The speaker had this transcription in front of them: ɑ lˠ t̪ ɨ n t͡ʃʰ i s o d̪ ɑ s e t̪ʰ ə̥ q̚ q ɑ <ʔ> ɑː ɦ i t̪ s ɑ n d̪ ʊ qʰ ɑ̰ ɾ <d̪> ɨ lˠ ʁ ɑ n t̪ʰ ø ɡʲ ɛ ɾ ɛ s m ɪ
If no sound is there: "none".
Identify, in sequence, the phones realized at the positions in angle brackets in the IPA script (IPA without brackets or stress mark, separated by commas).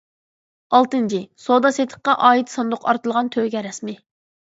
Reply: ʔ, t̪